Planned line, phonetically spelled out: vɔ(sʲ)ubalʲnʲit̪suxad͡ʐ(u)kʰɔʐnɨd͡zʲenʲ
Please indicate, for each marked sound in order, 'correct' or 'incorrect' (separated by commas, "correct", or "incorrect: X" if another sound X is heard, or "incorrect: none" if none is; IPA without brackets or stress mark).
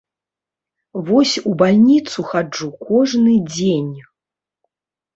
correct, correct